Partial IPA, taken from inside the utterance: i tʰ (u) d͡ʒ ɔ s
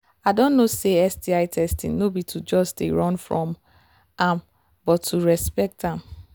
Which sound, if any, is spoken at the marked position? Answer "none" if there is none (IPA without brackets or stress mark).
u